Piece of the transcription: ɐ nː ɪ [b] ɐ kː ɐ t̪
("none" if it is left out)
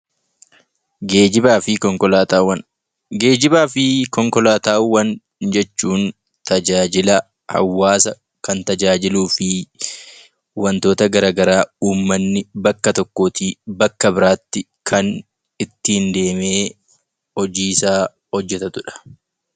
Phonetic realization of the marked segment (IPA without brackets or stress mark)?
b